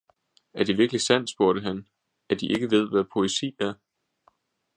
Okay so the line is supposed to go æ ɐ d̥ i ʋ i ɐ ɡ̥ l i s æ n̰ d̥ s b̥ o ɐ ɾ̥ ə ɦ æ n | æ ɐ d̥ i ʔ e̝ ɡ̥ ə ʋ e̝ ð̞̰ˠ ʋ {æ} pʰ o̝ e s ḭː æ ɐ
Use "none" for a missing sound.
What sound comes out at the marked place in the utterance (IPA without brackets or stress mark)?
æ